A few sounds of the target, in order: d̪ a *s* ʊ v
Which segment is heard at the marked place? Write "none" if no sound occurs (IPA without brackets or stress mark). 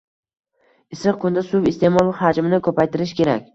s